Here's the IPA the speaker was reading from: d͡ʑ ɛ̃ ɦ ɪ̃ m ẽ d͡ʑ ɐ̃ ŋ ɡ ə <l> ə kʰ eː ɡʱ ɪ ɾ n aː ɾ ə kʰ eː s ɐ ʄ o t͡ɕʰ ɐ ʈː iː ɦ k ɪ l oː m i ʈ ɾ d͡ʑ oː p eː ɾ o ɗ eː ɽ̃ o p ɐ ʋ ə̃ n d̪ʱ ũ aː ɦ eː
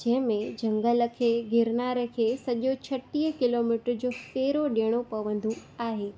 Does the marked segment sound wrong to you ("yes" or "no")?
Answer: no